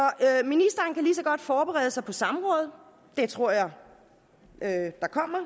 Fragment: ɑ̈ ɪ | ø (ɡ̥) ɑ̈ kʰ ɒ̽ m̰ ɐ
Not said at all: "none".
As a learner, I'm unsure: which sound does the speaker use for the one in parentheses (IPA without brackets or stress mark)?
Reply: d̥